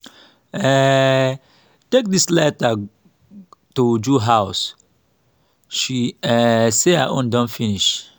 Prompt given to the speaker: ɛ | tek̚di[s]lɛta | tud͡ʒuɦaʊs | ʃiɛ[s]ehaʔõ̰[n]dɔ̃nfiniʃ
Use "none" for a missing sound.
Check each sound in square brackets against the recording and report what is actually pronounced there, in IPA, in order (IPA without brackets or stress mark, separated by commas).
s, s, n